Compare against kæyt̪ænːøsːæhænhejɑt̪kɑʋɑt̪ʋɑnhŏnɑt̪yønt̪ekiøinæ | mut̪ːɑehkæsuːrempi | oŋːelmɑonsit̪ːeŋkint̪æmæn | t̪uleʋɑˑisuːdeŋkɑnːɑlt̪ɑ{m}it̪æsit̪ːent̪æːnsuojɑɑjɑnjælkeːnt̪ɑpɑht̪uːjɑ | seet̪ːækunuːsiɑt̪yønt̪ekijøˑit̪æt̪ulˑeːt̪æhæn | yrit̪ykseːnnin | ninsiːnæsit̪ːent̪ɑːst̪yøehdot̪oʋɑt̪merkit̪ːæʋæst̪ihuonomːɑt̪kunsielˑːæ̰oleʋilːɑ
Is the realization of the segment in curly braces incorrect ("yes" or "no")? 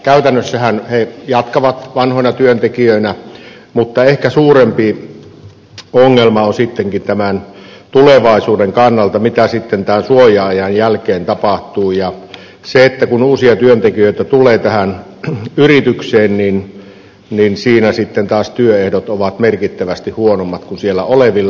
no